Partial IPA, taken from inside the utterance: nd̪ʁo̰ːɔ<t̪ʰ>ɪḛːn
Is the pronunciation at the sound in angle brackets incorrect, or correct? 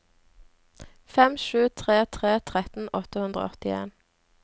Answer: incorrect